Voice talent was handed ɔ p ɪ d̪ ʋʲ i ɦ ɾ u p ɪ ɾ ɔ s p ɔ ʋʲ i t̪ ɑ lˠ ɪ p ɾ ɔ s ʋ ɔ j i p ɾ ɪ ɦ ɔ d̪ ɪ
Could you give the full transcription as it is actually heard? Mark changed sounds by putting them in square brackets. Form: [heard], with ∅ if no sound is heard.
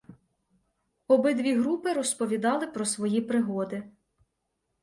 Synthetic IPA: ɔ [b] ɪ d̪ ʋʲ i ɦ ɾ u p ɪ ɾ ɔ s p ɔ ʋʲ i [d̪] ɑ lˠ ɪ p ɾ ɔ s ʋ ɔ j i p ɾ ɪ ɦ ɔ d̪ ɪ